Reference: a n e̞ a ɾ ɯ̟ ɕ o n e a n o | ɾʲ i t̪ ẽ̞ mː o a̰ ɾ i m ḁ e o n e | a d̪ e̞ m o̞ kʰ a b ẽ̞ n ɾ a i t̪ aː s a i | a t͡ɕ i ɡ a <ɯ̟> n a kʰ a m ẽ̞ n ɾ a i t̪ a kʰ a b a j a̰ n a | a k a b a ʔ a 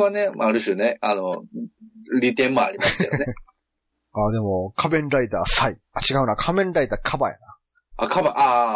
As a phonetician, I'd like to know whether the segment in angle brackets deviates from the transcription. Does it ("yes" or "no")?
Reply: no